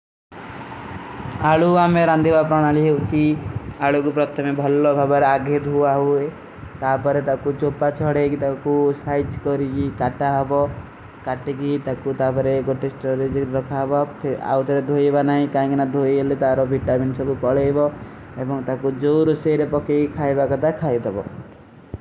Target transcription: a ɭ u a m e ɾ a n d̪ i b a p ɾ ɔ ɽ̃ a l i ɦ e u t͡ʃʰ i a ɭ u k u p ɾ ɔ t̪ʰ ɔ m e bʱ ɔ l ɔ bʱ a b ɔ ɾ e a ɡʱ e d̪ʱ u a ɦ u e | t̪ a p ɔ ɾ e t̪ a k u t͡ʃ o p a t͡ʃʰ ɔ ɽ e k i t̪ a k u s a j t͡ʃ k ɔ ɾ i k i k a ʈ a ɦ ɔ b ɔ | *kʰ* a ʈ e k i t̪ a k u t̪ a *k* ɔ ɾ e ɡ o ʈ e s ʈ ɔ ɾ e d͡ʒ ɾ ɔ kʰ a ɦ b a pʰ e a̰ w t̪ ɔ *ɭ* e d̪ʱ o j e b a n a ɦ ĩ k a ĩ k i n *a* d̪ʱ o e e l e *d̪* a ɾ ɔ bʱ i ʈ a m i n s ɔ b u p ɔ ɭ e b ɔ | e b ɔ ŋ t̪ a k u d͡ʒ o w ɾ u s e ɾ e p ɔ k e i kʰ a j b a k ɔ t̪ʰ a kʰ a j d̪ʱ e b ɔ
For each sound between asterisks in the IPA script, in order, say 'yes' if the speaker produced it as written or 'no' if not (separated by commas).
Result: no, no, no, yes, no